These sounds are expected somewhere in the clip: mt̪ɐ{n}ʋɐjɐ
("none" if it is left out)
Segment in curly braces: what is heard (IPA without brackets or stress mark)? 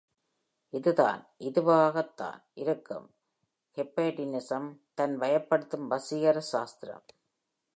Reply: n